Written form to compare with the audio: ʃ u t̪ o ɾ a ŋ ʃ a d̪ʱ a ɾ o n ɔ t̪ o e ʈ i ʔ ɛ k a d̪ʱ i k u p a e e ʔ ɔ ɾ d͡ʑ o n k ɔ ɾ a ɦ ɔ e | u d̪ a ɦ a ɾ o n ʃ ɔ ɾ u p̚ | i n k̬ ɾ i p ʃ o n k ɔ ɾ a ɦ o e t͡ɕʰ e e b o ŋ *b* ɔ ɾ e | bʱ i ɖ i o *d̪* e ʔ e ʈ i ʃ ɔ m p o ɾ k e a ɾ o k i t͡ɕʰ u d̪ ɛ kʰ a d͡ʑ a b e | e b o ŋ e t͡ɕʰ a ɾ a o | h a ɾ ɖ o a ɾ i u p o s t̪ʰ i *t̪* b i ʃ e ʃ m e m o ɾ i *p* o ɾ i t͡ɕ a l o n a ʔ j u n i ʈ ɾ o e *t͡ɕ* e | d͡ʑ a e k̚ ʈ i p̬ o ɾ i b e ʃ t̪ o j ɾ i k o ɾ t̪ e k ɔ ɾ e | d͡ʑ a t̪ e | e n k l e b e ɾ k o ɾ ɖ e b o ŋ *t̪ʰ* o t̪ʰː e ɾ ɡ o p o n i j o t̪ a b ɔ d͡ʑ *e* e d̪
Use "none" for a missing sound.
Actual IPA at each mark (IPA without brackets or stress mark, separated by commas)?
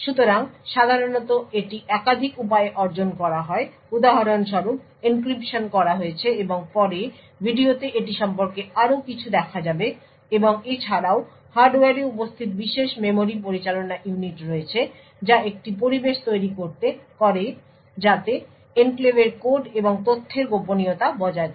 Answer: p, t̪, t̪, p, t͡ɕʰ, t̪, a